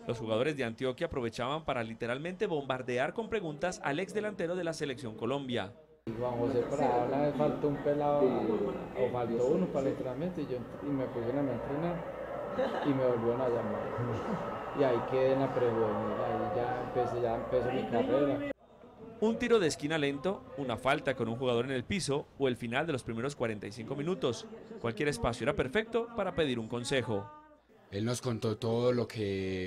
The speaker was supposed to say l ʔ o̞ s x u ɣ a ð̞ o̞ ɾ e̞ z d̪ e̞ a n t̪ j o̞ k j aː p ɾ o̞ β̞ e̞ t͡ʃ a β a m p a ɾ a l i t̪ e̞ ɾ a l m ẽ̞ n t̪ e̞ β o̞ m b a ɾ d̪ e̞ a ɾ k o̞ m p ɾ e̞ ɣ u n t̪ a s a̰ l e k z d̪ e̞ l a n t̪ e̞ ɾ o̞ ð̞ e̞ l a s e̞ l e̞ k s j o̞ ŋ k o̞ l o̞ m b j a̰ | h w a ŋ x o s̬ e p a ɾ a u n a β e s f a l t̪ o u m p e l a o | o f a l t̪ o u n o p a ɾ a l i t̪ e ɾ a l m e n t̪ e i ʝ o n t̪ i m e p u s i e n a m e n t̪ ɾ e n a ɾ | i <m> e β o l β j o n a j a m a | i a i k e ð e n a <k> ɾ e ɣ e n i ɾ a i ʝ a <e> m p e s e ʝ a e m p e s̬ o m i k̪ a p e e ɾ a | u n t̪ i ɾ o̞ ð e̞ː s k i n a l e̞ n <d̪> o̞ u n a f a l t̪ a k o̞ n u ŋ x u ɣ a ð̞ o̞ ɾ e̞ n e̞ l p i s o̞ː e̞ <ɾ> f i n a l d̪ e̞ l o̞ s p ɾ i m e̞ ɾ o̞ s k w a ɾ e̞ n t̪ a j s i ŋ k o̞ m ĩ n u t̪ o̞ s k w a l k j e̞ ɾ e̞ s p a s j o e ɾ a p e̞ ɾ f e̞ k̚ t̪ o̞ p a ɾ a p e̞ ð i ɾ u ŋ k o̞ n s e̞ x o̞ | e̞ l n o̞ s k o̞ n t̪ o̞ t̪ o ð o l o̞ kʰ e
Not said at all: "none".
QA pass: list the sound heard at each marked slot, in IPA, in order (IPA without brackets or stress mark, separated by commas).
m, p, e, t̪, l